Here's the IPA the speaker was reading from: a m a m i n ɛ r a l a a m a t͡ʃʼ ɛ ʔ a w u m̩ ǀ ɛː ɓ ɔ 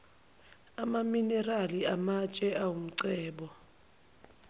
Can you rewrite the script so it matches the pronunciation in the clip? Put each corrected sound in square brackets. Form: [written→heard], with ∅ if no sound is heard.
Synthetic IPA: a m a m i n ɛ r a l [a→i] a m a t͡ʃʼ ɛ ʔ a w u m̩ ǀ ɛː ɓ ɔ